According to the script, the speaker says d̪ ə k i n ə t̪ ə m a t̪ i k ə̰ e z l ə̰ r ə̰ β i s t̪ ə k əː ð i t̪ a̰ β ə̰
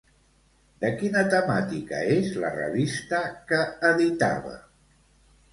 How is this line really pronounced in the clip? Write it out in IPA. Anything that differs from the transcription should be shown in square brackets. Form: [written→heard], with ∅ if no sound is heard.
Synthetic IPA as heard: d̪ ə k i n ə t̪ ə m a t̪ i k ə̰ e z l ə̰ r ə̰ β i s t̪ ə k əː ð i t̪ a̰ β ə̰